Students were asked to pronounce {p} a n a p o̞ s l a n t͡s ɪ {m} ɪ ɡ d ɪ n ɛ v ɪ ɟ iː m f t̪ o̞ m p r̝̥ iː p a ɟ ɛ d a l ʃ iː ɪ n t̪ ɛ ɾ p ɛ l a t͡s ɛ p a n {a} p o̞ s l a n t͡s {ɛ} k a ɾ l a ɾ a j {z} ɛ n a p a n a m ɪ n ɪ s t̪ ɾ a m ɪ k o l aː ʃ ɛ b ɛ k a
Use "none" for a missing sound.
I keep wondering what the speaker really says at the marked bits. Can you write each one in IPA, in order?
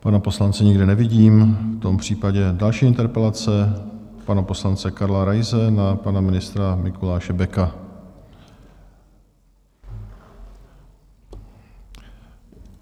p, ɲ, a, ɛ, z

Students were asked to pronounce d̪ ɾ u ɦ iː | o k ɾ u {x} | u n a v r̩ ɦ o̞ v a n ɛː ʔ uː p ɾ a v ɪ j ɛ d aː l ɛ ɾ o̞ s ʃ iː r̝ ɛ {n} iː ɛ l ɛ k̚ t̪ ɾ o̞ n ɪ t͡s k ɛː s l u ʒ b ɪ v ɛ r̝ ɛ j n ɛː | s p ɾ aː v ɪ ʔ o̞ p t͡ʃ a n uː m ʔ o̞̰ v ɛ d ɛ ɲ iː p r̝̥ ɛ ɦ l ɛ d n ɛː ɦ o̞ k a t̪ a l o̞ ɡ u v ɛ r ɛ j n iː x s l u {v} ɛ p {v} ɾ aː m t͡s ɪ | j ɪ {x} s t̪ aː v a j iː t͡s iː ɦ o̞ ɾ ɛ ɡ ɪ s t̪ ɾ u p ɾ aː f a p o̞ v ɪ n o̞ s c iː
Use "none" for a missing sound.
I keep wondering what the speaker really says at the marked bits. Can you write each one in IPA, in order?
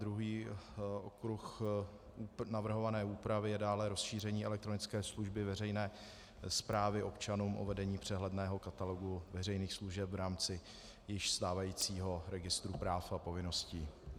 x, ɲ, ʒ, v, ʃ

